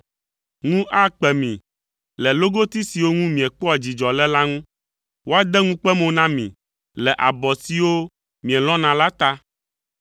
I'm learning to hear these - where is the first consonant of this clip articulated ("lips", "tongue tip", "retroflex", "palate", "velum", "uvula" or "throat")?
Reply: velum